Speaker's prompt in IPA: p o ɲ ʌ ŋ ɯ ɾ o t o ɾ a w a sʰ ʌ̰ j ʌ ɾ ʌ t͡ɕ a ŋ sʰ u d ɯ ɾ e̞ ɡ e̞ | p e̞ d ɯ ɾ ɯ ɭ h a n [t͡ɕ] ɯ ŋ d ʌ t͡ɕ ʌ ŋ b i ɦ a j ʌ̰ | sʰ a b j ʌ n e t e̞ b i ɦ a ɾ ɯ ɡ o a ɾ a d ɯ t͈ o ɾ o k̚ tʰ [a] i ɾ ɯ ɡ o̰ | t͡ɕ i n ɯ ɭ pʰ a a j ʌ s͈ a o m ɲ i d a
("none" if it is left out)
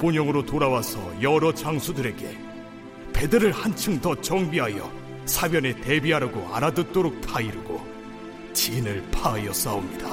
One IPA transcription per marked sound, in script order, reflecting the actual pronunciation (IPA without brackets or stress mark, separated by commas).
t͡ɕʰ, a